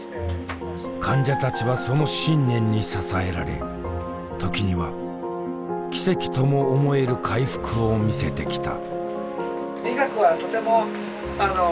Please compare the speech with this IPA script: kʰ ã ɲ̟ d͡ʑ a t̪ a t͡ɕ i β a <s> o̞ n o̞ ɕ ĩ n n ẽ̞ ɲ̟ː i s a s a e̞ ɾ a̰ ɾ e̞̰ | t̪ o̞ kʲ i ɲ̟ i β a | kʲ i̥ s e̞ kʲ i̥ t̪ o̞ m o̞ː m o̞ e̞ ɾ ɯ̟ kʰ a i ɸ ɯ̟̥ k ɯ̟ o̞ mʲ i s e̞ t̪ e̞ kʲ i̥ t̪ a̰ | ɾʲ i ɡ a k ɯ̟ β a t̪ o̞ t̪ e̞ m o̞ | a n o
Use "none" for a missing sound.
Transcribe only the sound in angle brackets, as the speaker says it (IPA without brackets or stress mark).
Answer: s